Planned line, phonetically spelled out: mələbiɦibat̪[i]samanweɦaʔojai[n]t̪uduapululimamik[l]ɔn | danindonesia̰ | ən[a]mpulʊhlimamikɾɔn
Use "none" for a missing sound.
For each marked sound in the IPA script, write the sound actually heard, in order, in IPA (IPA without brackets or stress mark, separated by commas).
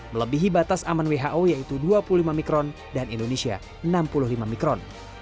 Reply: a, none, ɾ, a